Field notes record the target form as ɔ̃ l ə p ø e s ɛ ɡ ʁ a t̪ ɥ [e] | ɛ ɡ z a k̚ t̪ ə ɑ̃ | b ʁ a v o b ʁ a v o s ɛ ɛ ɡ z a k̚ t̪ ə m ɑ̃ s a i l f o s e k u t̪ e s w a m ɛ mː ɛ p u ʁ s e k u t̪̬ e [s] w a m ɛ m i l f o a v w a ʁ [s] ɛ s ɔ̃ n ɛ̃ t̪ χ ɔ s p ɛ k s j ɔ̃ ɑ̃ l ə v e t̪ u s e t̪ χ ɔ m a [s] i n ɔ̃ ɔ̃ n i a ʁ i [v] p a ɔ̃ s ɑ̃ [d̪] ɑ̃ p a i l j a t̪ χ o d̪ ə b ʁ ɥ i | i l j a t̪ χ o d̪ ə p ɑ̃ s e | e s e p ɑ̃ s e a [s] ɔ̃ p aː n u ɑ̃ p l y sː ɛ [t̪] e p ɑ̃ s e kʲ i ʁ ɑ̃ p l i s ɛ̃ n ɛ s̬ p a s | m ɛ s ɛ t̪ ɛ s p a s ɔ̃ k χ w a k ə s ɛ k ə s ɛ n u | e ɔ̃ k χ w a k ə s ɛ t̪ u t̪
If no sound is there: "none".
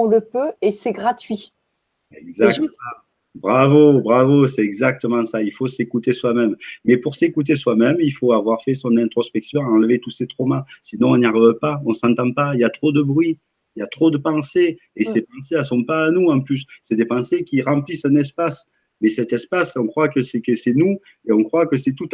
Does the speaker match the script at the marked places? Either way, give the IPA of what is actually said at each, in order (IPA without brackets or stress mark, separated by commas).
i, s, f, s, v, t̪, s, d̪